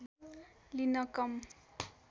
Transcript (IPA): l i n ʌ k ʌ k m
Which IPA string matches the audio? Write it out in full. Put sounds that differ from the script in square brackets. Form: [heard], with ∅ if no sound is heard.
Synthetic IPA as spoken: l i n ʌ k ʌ [∅] m